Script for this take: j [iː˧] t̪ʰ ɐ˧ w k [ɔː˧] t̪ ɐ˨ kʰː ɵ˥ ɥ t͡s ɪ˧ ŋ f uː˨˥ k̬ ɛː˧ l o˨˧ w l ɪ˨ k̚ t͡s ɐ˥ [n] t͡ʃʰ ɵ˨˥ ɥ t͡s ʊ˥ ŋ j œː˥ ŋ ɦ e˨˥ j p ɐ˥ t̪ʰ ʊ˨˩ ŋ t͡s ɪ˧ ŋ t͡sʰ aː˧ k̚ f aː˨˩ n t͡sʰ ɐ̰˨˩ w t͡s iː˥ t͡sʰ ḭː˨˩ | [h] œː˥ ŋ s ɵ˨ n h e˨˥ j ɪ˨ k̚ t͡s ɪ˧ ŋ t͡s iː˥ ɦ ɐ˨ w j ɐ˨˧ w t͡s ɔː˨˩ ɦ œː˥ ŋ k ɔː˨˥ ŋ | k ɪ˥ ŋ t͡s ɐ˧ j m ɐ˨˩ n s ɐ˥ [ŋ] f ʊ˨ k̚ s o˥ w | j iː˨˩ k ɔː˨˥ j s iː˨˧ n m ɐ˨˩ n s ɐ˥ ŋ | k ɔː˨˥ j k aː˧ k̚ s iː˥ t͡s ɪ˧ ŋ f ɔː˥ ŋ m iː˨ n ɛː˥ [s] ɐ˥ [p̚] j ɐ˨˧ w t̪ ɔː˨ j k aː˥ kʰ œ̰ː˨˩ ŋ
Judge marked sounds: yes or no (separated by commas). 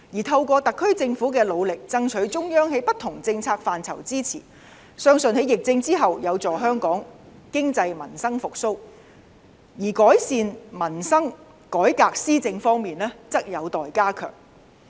no, yes, no, no, yes, no, no